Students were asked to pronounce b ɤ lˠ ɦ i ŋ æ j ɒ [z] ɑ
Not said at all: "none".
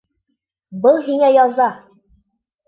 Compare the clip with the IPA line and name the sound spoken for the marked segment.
z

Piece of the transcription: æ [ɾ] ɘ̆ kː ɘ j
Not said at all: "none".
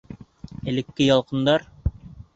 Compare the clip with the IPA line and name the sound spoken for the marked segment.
l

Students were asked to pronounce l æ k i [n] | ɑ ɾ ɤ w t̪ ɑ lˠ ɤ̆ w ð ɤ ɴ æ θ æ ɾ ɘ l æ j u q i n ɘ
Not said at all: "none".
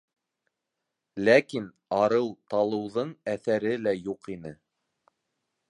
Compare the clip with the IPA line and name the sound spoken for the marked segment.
n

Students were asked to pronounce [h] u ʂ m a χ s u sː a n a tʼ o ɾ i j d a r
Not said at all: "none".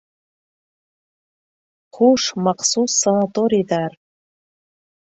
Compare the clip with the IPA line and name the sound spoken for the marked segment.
χ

